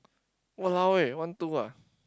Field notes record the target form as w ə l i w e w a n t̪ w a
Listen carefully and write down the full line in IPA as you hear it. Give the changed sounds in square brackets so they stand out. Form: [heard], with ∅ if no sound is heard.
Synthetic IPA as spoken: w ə l [a] w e w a n t̪ [u] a